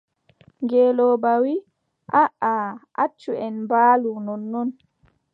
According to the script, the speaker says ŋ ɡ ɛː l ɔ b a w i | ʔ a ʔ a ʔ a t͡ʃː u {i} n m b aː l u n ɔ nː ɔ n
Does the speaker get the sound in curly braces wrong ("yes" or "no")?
yes